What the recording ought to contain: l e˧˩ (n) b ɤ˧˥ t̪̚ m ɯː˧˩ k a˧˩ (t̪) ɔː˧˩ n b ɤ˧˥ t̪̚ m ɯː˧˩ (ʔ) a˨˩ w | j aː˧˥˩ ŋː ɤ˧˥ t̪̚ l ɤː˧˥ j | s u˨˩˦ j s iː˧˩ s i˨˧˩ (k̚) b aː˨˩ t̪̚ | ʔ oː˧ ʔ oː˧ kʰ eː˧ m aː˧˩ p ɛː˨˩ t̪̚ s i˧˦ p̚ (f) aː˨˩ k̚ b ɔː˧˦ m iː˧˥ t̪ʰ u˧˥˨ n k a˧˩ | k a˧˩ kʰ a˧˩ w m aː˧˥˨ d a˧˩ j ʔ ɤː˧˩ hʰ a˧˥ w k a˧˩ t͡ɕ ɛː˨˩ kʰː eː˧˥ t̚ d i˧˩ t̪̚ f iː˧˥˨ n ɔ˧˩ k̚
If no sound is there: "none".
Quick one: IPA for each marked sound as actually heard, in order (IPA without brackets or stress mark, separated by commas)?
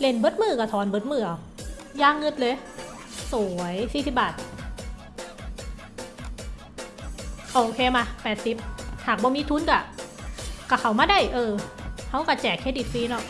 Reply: n, t̪ʰ, ʔ, p̚, h